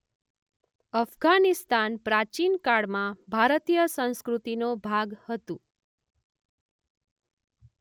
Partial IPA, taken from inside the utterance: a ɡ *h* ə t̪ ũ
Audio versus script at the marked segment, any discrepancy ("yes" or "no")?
no